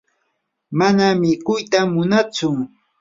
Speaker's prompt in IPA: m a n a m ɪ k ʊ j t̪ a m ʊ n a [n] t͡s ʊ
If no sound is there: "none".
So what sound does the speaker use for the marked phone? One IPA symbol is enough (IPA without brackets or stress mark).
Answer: none